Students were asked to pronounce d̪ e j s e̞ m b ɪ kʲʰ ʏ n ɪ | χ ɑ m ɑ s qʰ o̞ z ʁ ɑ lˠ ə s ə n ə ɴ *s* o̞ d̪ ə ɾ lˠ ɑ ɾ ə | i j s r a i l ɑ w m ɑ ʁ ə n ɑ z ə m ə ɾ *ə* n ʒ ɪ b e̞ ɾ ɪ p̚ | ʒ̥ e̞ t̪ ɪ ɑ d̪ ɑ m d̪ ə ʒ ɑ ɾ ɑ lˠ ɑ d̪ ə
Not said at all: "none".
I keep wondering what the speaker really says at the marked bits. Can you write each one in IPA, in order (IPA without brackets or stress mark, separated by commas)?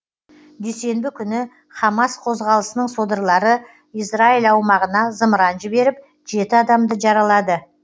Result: s, ɑ